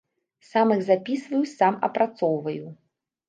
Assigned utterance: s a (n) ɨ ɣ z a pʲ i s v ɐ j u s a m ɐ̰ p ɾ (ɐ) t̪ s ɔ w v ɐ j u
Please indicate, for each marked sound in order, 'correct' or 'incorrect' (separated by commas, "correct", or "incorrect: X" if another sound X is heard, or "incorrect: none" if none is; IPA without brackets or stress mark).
incorrect: m, incorrect: a